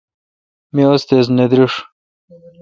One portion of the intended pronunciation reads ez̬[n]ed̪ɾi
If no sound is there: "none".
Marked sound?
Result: n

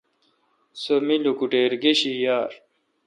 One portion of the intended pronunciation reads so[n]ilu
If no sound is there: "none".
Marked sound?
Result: m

